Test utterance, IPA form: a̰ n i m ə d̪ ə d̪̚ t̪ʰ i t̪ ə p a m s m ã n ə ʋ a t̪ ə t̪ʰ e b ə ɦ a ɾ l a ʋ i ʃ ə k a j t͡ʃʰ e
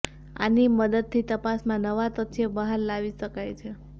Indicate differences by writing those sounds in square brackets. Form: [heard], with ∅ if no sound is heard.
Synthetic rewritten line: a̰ n i m ə d̪ ə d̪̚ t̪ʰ i t̪ ə p a [∅] s m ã n ə ʋ a t̪ ə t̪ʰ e b ə ɦ a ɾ l a ʋ i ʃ ə k a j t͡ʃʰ e